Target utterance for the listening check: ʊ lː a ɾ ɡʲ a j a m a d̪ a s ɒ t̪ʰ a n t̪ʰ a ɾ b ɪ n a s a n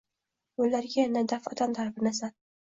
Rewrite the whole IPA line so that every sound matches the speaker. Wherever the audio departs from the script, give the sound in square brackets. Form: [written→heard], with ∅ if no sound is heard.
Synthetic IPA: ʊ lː a ɾ ɡʲ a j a [m→n] a d̪ a [s→f] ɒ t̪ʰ a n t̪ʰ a ɾ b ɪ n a s a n